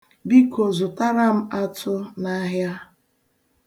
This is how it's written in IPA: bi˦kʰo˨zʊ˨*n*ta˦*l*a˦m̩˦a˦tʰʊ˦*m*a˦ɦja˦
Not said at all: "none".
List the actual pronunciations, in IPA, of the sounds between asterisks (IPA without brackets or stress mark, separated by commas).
none, ɾ, n